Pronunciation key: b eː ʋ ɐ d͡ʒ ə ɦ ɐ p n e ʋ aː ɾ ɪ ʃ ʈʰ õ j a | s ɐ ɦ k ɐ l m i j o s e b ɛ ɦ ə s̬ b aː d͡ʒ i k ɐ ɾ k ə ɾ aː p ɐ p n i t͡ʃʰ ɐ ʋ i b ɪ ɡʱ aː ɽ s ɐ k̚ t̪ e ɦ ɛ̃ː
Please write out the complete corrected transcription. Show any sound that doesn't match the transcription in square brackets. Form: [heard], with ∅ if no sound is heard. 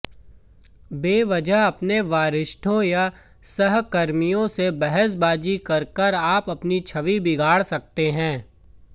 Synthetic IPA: b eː ʋ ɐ d͡ʒ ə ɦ ɐ p n e ʋ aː ɾ ɪ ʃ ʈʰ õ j a | s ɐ ɦ k ɐ [ɾ] m i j [õ] s e b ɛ ɦ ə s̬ b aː d͡ʒ i k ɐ ɾ k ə ɾ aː p ɐ p n i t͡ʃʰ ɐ ʋ i b ɪ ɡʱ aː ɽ s ɐ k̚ t̪ e ɦ ɛ̃ː